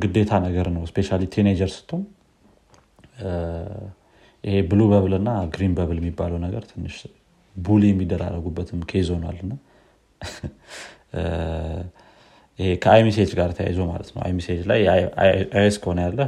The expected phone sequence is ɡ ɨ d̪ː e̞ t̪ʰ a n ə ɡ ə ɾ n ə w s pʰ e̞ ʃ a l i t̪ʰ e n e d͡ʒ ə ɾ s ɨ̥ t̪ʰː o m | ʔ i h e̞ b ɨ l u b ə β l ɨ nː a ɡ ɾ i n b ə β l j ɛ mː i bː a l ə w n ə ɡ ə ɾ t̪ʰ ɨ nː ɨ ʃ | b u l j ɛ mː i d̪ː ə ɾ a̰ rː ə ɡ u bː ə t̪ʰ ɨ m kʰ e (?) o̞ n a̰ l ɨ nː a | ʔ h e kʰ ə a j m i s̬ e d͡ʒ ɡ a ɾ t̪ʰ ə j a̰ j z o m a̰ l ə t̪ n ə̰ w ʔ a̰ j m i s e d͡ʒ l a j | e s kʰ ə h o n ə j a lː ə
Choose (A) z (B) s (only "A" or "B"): A